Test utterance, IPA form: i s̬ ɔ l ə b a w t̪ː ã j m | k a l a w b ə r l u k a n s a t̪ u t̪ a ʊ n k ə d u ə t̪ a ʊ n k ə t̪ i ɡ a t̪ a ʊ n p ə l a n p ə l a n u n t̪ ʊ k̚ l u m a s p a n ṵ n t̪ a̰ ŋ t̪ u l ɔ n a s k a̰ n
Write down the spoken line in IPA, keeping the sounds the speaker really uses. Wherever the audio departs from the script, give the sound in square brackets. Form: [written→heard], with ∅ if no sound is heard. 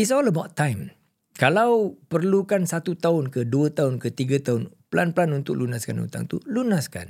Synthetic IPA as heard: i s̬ ɔ l ə b a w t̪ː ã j m | k a l a w [b→p] ə r l u k a n s a t̪ u t̪ a ʊ n k ə d u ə t̪ a ʊ n k ə t̪ i ɡ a t̪ a ʊ n p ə l a n p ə l a n u n t̪ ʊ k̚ l u [m→n] a s [p→k] a n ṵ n t̪ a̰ ŋ t̪ u l [ɔ→u] n a s k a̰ n